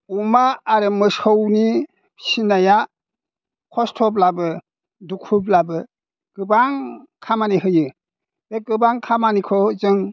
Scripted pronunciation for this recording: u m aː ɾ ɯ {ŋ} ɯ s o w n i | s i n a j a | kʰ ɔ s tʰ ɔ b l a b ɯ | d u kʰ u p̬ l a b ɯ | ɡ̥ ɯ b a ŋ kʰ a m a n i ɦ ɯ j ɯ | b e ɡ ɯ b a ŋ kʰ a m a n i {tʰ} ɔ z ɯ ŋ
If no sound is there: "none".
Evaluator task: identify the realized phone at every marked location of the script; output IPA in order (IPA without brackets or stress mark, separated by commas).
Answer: m, kʰ